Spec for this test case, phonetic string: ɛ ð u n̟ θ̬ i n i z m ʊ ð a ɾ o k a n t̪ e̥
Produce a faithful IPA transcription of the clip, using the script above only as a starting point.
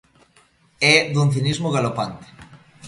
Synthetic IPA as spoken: ɛ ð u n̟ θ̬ i n i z m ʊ ɣ a l o p a n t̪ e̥